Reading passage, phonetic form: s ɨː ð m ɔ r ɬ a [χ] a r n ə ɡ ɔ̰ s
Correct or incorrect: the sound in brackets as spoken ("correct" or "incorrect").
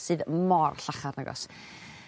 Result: correct